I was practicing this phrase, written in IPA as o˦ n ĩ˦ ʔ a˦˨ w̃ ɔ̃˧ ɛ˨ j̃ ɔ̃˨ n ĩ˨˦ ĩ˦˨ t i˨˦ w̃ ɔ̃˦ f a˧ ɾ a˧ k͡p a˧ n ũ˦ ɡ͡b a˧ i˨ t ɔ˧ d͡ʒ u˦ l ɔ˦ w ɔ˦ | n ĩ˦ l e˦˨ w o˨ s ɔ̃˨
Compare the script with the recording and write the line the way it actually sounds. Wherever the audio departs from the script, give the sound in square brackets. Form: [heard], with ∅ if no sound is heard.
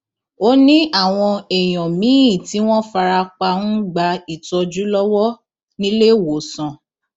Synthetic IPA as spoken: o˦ n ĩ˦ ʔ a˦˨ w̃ ɔ̃˧ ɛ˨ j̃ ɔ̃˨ [m] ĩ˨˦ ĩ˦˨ t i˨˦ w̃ ɔ̃˦ f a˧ ɾ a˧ k͡p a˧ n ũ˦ ɡ͡b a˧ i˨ t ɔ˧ d͡ʒ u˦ l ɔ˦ w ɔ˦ | n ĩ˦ l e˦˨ w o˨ s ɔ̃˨